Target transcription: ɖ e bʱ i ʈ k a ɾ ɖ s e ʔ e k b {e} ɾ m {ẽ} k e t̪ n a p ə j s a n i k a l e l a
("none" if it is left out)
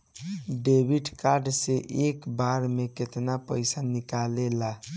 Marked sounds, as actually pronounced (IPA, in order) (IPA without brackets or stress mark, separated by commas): a, e